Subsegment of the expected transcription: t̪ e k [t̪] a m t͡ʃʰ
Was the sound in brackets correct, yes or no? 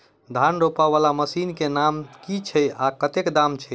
no